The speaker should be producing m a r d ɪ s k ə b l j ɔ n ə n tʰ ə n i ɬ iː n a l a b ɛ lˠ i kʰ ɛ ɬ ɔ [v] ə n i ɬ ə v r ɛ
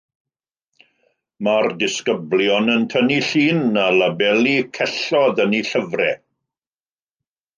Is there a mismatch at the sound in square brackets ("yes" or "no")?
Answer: yes